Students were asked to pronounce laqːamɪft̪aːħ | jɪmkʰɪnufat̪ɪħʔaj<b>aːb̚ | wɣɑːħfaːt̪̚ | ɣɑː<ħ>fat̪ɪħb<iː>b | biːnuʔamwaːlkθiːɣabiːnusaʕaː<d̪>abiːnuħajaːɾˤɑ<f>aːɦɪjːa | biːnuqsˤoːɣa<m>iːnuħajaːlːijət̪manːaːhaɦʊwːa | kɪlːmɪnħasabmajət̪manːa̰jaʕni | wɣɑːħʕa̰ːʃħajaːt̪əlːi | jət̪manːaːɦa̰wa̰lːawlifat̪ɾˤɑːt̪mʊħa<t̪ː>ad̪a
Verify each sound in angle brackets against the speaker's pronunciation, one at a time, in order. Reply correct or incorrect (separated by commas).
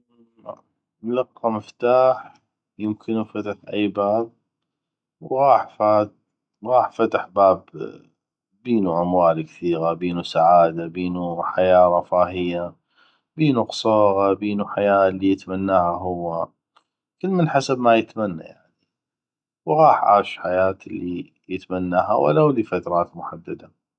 correct, correct, incorrect, correct, correct, incorrect, incorrect